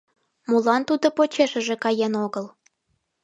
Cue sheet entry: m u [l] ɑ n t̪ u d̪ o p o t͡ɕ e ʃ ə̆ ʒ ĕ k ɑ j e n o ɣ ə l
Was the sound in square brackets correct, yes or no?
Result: yes